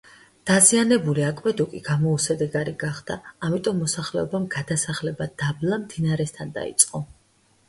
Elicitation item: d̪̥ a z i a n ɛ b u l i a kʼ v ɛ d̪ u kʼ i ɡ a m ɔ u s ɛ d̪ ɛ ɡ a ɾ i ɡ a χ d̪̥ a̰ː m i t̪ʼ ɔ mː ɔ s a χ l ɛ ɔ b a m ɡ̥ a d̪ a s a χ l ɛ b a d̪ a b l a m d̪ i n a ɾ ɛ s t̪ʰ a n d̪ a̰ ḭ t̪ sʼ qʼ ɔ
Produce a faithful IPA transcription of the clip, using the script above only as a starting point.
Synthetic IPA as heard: d̪̥ a z i a n ɛ b u l i a kʼ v ɛ d̪ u kʼ i ɡ a m ɔ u s ɛ d̪ ɛ ɡ a ɾ i ɡ a χ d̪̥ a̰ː m i t̪ʼ ɔ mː ɔ s a χ l ɛ ɔ b a m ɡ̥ a d̪ a s a χ l ɛ b a d̪ a b l a m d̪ i n a ɾ ɛ s t̪ʰ a n d̪ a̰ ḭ t̪ sʼ qʼ ɔ